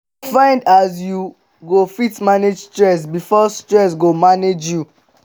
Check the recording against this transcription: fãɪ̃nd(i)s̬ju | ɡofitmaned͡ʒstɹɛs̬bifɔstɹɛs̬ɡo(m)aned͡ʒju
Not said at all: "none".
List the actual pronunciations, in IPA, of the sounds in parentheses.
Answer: a, m

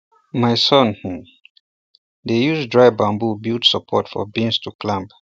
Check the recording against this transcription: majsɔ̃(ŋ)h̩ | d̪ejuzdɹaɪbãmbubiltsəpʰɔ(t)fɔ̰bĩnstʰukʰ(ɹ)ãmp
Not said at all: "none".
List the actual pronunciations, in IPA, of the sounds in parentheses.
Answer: n, t, l

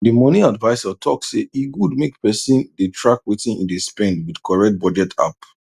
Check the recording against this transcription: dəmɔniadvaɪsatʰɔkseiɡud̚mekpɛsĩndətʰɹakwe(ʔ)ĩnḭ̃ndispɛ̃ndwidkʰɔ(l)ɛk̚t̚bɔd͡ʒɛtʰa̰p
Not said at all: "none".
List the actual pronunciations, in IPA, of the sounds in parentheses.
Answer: t, ɹ

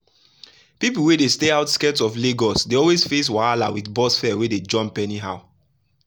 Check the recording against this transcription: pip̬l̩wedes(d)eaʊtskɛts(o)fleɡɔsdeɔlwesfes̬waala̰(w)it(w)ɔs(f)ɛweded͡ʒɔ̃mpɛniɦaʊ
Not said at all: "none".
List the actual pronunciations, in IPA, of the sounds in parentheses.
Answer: t, ɔ, w, b, f

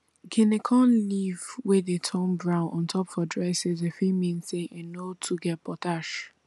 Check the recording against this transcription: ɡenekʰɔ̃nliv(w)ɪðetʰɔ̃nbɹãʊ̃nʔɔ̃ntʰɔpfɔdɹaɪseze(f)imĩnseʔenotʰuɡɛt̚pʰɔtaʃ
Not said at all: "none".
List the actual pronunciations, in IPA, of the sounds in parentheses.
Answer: w, f

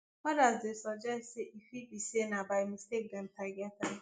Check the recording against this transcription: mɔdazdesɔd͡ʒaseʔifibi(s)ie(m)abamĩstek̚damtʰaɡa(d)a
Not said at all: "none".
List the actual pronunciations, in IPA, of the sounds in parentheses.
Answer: s, n, t

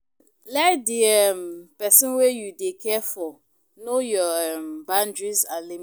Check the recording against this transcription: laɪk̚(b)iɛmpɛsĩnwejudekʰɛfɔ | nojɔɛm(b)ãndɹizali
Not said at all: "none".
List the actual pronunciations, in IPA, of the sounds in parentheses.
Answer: d, b

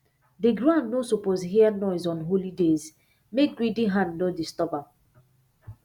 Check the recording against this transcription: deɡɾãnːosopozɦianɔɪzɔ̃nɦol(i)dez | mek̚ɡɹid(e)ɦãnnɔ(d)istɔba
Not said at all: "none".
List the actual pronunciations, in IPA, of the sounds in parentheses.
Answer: i, i, d

